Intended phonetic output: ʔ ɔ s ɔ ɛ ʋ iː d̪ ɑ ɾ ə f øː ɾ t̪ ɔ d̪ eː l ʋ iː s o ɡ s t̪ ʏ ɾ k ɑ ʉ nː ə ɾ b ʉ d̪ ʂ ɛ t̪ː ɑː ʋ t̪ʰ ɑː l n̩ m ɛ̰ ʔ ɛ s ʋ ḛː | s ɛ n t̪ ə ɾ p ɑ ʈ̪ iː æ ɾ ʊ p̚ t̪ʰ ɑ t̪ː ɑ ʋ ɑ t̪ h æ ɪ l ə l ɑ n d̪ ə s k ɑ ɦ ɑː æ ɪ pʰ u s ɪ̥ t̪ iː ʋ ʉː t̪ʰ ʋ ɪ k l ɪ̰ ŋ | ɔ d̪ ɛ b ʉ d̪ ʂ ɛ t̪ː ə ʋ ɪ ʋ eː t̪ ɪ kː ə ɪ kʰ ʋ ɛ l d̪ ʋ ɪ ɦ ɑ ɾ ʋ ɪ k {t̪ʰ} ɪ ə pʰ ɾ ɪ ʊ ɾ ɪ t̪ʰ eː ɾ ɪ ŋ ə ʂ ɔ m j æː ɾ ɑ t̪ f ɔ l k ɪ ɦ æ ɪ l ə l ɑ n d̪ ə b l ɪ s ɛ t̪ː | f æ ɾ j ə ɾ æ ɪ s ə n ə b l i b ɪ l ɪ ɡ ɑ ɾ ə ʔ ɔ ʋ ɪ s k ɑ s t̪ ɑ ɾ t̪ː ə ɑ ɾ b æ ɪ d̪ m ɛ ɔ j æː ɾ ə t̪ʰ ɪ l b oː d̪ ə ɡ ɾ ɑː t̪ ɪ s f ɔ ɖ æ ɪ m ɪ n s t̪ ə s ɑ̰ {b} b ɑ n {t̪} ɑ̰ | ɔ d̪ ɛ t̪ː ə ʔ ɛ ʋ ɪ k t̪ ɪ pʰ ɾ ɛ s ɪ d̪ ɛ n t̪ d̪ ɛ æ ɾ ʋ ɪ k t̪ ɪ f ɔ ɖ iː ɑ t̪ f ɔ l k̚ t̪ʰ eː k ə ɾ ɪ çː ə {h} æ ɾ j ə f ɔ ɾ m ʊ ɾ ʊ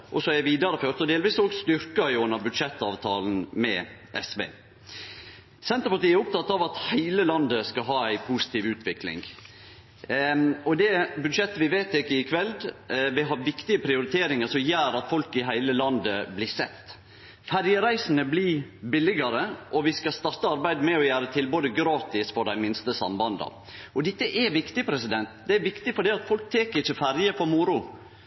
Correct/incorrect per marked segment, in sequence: incorrect: t̪, incorrect: m, incorrect: d̪, incorrect: f

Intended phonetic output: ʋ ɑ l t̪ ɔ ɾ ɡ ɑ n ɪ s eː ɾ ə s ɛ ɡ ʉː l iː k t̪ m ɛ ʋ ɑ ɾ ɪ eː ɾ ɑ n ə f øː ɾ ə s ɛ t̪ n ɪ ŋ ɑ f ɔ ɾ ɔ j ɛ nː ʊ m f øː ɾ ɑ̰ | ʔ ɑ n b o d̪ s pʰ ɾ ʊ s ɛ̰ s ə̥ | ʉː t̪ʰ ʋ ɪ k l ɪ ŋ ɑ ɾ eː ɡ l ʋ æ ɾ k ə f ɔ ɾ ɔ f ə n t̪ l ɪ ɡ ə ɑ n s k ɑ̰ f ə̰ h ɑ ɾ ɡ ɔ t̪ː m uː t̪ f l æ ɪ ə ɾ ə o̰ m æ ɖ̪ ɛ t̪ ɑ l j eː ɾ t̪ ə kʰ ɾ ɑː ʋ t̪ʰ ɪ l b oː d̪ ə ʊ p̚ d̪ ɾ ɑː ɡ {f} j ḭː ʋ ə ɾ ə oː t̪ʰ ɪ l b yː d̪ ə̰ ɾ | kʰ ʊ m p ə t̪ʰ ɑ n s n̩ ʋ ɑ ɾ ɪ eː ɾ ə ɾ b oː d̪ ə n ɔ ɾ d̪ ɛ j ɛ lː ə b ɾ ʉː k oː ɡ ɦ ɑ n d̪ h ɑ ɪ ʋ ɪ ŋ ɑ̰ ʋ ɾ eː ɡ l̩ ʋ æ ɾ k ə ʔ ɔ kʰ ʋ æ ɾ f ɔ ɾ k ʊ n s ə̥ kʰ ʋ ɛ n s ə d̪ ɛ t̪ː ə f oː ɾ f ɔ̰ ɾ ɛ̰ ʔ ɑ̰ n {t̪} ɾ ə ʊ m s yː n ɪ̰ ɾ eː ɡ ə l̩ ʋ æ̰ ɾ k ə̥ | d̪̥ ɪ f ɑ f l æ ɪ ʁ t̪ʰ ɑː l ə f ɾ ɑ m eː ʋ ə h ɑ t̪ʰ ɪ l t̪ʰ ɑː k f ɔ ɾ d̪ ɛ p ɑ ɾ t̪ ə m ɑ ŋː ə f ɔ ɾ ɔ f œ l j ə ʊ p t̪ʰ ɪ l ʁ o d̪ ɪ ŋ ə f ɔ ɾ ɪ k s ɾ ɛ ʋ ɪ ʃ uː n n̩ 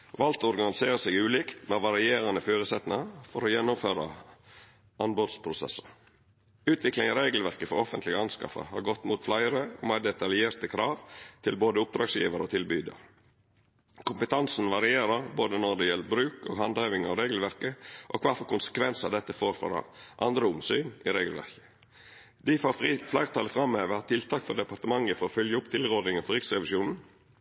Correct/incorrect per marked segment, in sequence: incorrect: s, incorrect: d̪

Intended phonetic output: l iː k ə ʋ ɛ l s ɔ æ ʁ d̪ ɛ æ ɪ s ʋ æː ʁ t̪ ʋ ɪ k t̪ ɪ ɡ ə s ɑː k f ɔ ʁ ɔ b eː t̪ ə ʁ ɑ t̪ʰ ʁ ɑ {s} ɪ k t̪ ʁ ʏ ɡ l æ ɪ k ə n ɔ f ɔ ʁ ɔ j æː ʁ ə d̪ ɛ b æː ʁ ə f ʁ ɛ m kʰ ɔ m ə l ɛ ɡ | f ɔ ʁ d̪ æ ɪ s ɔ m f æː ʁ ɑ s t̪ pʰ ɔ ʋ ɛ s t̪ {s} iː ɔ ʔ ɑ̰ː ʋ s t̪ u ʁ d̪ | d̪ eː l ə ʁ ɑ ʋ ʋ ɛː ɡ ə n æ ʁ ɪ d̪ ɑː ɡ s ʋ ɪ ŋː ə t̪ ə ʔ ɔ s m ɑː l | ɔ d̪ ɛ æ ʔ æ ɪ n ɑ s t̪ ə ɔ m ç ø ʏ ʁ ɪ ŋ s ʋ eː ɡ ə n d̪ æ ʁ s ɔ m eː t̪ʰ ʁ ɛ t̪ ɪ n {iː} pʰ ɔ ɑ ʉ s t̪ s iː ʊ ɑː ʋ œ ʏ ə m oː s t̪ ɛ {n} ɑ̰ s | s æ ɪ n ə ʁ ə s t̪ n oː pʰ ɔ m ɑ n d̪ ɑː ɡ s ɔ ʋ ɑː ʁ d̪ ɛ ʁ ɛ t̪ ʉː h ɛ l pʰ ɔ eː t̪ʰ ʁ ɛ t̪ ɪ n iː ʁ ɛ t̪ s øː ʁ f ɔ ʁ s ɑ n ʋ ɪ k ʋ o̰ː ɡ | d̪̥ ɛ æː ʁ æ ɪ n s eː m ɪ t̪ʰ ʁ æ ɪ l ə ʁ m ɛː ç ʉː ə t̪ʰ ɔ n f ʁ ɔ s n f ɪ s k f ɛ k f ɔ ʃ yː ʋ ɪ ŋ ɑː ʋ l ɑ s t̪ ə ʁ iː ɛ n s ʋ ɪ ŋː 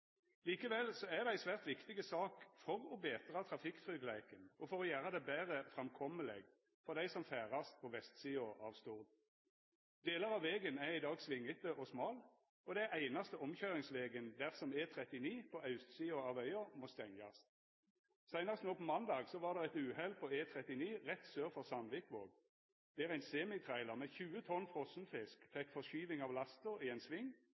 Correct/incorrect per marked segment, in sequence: incorrect: f, correct, correct, incorrect: ŋ

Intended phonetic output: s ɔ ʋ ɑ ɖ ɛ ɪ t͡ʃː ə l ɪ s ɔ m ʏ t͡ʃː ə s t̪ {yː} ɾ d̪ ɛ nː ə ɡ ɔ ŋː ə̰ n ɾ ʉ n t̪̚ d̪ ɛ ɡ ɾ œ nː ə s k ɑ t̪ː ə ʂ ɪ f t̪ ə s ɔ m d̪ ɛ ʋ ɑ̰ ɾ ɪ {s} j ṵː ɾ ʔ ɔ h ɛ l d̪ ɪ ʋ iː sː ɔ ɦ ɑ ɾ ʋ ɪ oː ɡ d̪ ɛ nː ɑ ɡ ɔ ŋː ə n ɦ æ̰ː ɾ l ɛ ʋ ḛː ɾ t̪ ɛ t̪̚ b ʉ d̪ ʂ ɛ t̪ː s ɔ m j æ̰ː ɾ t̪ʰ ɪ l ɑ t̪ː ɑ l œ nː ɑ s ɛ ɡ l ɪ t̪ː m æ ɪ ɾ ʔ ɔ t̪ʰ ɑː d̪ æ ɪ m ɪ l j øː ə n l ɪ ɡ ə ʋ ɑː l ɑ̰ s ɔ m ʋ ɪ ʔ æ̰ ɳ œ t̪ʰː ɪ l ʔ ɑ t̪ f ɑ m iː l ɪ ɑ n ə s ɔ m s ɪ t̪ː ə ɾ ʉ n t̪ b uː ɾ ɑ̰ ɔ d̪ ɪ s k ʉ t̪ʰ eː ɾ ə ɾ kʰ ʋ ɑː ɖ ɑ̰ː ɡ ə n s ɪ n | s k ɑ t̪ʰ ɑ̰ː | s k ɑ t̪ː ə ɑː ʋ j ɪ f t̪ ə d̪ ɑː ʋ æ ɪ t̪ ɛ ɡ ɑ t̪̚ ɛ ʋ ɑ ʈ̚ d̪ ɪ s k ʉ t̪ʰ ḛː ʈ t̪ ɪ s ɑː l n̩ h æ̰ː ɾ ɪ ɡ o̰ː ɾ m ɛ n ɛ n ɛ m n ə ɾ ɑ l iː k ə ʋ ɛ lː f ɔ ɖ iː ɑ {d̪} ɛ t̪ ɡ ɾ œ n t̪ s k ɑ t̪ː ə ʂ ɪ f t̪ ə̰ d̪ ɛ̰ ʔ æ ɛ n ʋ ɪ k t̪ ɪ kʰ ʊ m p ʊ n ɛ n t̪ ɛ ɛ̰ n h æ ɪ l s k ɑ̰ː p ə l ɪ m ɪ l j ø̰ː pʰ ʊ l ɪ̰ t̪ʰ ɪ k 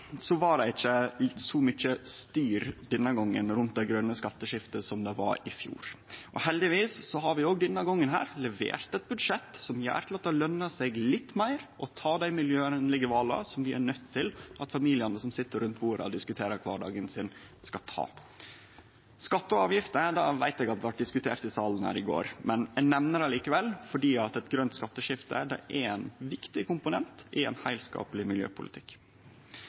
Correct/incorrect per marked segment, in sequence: correct, incorrect: f, incorrect: t̪

